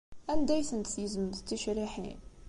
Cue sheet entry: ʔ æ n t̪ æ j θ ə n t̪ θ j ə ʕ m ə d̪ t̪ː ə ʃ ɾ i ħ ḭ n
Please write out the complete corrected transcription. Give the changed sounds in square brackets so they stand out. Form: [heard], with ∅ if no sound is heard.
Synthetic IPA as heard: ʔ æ n [d̪] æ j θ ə n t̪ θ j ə [z] m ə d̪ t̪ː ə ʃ ɾ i ħ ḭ n